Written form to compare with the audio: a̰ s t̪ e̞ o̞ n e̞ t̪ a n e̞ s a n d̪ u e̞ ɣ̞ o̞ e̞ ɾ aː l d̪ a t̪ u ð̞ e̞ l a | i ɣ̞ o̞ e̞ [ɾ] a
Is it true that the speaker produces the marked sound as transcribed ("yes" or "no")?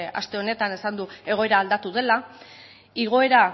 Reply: yes